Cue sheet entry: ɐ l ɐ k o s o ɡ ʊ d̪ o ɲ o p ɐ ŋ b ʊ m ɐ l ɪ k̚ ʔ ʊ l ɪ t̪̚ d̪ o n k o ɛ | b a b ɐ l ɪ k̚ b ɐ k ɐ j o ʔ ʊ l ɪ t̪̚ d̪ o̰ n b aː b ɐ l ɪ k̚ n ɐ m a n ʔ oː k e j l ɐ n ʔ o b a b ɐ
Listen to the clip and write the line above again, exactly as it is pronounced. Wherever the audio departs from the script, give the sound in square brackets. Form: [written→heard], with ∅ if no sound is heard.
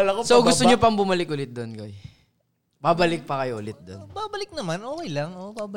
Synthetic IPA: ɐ l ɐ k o s o ɡ ʊ [d̪→t̪] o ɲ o p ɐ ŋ b ʊ m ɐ l ɪ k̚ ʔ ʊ l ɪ t̪̚ d̪ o n k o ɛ | b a b ɐ l ɪ k̚ [b→p] ɐ k ɐ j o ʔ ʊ l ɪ t̪̚ d̪ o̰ n b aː b ɐ l ɪ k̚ n ɐ m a n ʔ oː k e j l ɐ [n→ŋ] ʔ o b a b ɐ